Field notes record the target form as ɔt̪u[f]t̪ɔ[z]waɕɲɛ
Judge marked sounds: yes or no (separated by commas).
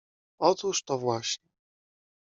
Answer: no, no